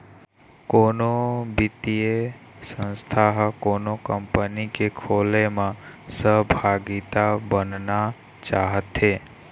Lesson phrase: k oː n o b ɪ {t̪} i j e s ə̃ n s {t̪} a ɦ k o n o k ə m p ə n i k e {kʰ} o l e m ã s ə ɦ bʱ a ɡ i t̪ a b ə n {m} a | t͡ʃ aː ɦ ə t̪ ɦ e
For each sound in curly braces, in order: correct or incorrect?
correct, incorrect: t̪ʰ, correct, incorrect: n

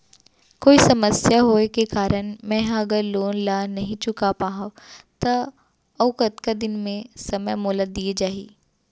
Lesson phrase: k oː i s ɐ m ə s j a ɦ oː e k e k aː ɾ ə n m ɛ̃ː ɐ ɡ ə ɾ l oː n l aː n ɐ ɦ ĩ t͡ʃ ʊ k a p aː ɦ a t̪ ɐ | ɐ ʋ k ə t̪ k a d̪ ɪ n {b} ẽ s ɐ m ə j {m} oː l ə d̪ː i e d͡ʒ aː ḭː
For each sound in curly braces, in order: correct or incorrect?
incorrect: m, correct

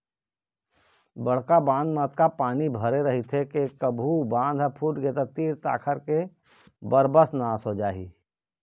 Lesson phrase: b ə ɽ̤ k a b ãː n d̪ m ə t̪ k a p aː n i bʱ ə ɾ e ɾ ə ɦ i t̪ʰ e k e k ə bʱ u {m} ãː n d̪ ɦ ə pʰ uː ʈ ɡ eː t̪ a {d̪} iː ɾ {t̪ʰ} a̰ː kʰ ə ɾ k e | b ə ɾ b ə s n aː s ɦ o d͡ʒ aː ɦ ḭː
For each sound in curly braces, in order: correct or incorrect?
incorrect: b, incorrect: t̪, incorrect: t̪

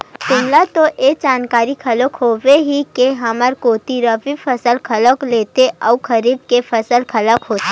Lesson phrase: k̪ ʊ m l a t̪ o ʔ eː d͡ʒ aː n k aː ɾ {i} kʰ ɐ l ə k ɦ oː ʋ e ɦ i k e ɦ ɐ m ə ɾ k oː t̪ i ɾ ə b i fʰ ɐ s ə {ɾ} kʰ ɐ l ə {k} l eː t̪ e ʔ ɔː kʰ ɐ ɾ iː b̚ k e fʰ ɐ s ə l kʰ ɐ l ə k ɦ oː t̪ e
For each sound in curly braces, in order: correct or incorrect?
correct, incorrect: l, correct

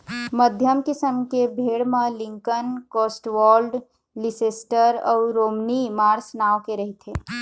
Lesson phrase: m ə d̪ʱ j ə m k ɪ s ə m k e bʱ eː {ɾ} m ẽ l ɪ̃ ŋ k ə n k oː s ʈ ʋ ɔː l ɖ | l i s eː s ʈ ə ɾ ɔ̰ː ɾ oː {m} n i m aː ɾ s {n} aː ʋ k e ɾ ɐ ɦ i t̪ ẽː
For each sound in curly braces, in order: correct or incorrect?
incorrect: ɽ, correct, correct

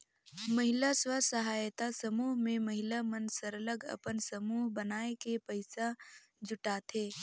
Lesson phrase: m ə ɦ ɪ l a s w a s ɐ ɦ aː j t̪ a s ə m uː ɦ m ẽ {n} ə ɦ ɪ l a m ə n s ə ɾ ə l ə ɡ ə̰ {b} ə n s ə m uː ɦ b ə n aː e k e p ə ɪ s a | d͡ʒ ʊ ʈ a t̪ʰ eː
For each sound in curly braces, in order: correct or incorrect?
incorrect: m, incorrect: p

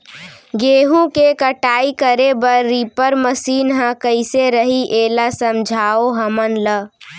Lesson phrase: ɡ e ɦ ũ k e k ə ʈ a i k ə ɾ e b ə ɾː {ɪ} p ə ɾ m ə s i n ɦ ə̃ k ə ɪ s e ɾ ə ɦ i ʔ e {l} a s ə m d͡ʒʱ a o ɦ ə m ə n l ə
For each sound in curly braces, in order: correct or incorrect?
incorrect: i, correct

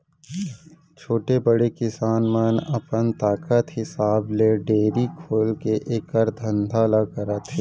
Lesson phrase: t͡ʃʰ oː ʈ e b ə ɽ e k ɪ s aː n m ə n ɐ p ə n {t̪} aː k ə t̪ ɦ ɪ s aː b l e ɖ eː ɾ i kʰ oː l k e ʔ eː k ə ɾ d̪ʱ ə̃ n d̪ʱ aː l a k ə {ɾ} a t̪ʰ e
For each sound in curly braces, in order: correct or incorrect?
correct, correct

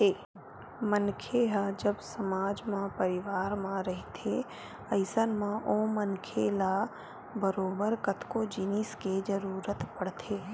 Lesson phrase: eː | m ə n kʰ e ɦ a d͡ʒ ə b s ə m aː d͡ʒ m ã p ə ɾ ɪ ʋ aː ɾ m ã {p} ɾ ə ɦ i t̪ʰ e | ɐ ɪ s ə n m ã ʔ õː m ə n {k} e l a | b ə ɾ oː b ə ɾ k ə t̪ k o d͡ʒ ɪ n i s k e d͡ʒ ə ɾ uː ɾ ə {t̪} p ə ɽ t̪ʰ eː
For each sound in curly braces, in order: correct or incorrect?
incorrect: none, incorrect: kʰ, correct

